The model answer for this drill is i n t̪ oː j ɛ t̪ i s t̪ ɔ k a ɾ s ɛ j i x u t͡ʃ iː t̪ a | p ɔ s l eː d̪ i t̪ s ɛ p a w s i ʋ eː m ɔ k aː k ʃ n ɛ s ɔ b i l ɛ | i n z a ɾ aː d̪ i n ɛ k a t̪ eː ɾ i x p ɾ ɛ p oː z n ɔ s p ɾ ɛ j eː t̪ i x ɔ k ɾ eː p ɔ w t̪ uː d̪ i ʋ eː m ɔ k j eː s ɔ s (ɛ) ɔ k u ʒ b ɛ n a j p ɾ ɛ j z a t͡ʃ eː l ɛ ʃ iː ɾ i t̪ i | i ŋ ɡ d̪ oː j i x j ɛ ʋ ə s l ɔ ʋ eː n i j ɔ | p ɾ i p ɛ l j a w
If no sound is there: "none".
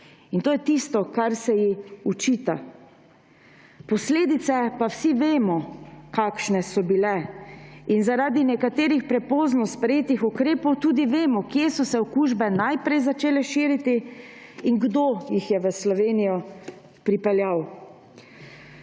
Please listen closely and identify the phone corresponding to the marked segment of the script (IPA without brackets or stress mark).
ɛ